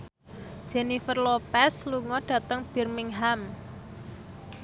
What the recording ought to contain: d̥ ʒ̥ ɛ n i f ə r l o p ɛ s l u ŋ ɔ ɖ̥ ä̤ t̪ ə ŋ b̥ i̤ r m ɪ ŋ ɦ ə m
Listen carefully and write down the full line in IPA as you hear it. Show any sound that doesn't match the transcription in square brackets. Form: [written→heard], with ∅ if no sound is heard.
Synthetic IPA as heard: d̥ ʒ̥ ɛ n i f ə r l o p ɛ s l u ŋ ɔ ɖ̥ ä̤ t̪ ə ŋ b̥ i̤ r m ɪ ŋ ɦ [ə→a] m